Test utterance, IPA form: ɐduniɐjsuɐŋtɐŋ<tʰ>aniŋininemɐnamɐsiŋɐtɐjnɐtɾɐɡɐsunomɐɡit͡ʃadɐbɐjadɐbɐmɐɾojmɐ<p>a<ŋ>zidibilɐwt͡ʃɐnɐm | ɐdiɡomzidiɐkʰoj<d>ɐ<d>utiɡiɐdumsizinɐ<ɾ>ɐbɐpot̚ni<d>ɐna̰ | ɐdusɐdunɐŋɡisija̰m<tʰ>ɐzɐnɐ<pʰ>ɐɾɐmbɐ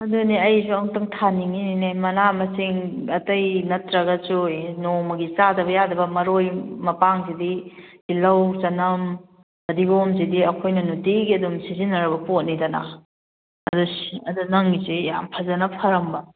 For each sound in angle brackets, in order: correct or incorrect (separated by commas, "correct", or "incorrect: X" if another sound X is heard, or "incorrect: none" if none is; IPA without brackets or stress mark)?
correct, correct, correct, incorrect: n, incorrect: n, correct, correct, incorrect: pʰ, correct